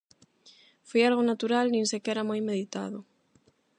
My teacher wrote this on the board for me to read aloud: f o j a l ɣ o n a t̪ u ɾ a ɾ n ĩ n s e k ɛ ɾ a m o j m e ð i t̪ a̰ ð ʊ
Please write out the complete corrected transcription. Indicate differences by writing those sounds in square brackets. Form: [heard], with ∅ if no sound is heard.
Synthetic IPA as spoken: f o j a l ɣ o n a t̪ u ɾ a [l] n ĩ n s e k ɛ ɾ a m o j m e ð i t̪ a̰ ð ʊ

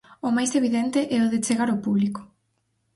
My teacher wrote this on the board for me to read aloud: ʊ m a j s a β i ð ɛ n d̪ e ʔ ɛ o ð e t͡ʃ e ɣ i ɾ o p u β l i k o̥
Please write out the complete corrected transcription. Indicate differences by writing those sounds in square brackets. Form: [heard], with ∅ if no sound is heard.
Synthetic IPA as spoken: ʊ m a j s [e] β i ð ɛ n [t̪] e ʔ ɛ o ð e t͡ʃ e ɣ [a] ɾ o p u β l i k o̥

